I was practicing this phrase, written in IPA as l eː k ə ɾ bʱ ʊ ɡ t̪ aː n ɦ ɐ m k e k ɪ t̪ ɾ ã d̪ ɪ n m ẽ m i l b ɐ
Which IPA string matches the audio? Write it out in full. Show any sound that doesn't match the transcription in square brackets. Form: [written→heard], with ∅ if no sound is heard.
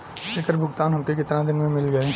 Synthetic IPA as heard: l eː k ə ɾ bʱ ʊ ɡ t̪ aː n ɦ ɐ m k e k ɪ t̪ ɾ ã d̪ ɪ n m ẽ m [i→ɪ] l [b→ɡ] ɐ